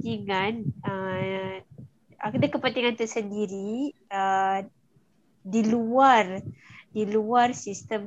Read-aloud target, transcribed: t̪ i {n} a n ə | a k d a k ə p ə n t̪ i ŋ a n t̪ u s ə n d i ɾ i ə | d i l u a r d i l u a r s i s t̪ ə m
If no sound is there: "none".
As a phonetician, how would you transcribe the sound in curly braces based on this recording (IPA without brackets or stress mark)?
ŋ